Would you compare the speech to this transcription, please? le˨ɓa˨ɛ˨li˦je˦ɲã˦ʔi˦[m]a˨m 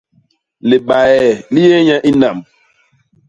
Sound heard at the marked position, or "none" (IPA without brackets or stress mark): n